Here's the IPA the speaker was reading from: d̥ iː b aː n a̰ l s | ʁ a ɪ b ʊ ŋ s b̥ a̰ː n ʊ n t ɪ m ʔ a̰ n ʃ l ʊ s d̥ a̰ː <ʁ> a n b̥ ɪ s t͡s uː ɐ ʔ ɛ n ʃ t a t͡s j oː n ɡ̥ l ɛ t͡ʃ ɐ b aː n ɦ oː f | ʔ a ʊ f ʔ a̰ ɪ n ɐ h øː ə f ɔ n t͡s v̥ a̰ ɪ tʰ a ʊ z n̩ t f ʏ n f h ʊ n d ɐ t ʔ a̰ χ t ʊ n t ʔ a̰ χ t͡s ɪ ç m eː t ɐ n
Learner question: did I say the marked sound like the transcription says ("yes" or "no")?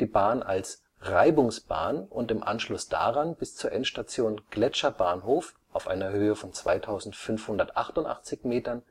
yes